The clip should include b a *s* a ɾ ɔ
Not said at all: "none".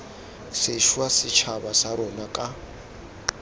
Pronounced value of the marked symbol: s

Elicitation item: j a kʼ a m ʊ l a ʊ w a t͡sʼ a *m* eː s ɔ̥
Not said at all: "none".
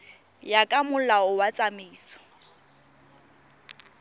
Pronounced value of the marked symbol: m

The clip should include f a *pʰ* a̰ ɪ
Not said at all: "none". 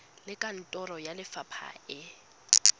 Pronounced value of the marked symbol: pʰ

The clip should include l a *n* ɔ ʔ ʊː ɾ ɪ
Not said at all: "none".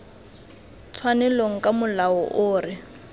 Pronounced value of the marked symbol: none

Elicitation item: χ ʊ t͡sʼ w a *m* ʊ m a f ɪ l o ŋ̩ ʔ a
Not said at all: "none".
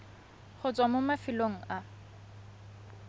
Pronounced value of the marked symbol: m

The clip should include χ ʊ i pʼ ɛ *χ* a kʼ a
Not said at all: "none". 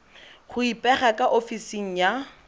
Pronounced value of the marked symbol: χ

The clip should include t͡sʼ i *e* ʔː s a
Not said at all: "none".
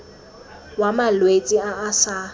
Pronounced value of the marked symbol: a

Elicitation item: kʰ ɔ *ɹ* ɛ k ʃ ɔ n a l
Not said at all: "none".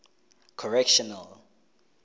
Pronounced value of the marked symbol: ɹ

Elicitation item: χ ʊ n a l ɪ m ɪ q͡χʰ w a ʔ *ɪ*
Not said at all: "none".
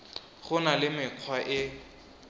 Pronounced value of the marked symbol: ɪ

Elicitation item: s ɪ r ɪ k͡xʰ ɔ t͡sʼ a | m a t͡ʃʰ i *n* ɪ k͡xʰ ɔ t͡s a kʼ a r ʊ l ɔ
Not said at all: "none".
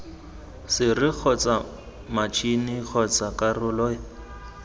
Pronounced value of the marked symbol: n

